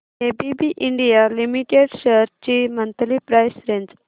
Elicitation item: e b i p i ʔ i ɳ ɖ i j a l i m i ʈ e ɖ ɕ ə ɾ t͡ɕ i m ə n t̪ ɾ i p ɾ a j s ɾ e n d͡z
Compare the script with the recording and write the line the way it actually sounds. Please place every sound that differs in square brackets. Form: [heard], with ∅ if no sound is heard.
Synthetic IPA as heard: e b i [b] i ʔ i ɳ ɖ i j a l i m i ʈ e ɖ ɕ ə ɾ t͡ɕ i m ə n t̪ [l] i p ɾ a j s ɾ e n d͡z